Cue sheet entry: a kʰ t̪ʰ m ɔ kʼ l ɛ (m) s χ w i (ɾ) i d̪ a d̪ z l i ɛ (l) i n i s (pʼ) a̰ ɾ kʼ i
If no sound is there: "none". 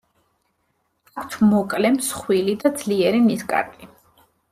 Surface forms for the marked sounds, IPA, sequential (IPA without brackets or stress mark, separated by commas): m, l, ɾ, kʼ